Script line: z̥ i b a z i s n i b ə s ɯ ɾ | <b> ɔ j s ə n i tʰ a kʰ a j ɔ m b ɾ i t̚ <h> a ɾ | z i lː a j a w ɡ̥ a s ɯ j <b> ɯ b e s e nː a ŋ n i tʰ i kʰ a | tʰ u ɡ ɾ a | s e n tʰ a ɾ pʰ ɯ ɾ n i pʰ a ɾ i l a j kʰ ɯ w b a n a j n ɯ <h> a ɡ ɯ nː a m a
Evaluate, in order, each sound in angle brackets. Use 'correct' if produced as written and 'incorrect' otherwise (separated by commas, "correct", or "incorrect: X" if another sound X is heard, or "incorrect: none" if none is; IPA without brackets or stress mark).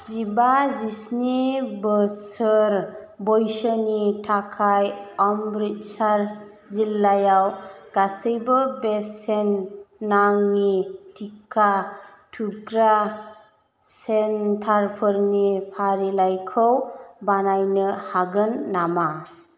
correct, incorrect: s, correct, correct